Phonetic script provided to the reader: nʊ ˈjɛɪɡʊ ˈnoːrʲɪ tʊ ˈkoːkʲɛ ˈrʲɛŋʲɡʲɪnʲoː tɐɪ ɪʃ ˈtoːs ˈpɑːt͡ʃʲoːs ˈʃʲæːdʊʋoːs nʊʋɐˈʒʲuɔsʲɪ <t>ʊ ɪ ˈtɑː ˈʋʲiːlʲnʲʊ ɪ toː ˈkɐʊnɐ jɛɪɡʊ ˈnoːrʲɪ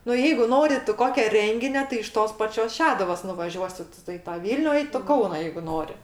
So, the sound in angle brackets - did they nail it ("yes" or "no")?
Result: yes